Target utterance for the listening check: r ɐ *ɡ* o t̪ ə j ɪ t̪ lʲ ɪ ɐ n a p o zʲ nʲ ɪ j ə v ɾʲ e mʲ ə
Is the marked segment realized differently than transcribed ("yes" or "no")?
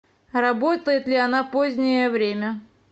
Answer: yes